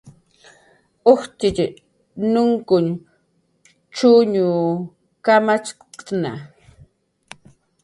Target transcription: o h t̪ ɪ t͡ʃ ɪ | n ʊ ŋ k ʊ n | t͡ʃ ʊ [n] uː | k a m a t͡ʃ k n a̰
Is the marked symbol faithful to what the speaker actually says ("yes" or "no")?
no